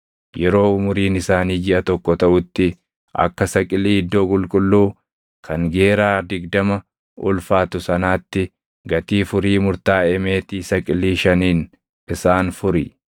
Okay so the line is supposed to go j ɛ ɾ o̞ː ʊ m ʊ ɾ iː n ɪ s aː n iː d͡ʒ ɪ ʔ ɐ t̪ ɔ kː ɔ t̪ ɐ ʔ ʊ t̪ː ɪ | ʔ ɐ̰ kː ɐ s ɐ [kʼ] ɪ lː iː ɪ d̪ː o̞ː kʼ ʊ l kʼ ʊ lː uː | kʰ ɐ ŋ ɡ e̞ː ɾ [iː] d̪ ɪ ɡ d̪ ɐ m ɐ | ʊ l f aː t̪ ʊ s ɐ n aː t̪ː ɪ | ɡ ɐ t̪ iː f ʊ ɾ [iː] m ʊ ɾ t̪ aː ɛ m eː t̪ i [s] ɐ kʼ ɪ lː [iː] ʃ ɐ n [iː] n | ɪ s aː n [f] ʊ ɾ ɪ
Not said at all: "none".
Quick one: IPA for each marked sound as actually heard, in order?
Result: kʼ, aː, iː, s, iː, iː, f

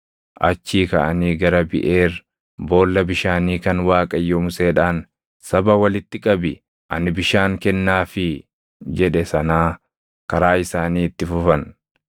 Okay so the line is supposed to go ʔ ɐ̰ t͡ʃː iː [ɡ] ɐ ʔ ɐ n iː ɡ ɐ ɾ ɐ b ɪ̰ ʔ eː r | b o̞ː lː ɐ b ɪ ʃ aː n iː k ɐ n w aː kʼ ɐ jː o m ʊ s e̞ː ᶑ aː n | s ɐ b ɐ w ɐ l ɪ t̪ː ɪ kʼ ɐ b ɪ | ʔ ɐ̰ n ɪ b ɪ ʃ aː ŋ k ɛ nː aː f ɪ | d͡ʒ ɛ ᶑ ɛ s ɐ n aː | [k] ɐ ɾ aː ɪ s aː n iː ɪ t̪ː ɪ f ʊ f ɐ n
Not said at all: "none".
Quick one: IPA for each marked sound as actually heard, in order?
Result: k, k

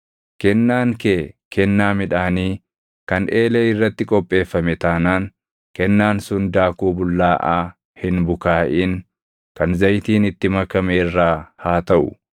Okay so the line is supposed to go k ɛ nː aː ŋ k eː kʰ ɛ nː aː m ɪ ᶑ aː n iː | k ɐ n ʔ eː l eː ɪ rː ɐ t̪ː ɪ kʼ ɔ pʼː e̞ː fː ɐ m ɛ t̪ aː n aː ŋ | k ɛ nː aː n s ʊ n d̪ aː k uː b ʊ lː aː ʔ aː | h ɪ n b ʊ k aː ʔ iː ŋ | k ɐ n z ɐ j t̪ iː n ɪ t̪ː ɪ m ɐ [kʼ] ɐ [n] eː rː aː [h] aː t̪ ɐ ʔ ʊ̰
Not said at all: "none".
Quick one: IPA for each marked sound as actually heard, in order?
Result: k, m, h

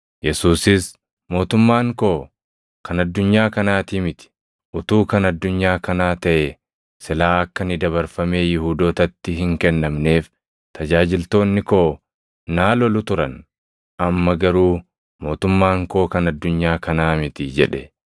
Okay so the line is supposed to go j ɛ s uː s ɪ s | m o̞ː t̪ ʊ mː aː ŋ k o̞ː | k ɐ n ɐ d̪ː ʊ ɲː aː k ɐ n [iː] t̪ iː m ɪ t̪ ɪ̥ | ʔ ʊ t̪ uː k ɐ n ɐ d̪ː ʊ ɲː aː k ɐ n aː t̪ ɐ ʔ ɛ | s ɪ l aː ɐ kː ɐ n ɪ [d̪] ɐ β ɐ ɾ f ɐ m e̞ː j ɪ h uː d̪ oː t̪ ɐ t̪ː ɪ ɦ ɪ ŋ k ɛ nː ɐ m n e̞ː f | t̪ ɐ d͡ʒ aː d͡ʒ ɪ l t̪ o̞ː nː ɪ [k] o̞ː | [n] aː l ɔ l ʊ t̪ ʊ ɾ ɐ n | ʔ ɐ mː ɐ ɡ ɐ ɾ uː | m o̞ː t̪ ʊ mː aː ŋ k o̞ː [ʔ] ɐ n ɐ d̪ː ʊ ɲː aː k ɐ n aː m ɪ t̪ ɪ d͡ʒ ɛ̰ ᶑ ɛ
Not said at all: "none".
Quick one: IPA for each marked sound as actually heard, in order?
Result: aː, d̪, k, n, k

